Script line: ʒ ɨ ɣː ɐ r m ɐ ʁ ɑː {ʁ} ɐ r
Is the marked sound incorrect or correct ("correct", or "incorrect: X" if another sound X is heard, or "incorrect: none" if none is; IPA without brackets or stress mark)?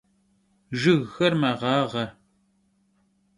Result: correct